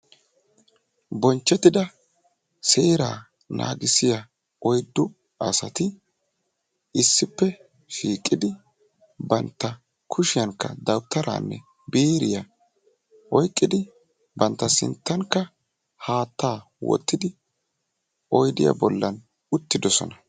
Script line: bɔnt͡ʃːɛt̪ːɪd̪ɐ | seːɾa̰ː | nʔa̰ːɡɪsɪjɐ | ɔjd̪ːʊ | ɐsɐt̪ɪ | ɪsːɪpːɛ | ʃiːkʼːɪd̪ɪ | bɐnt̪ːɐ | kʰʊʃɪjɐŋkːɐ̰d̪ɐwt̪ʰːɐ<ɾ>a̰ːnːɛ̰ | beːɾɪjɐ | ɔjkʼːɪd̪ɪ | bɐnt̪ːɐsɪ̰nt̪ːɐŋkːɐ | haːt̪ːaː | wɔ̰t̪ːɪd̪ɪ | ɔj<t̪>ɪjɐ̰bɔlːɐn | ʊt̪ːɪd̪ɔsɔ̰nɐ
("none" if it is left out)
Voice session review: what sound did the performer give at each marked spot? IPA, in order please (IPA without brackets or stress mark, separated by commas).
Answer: ɾ, d̪